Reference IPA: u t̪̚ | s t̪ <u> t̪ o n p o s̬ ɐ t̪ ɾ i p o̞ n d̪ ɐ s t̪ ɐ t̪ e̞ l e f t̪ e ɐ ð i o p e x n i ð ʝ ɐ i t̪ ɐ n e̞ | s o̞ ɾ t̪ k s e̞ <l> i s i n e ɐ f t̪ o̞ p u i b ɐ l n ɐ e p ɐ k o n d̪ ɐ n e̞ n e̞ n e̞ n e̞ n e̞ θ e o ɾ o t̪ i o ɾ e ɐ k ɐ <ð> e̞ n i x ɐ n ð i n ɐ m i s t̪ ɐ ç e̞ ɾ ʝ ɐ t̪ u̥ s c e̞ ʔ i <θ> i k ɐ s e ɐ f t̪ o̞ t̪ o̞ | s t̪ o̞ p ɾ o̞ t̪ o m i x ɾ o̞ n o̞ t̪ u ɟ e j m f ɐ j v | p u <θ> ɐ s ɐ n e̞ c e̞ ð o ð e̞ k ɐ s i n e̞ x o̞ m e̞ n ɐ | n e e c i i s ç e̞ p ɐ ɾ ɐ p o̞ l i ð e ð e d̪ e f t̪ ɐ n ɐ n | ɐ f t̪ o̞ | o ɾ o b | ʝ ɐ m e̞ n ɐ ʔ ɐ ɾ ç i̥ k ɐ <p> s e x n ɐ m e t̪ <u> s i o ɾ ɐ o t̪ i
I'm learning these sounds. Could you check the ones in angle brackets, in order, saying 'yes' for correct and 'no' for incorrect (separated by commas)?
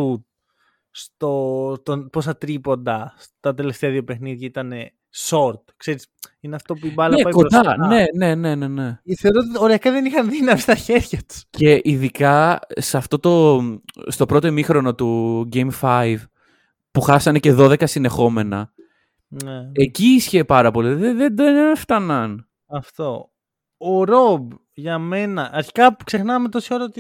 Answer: no, no, yes, no, no, no, no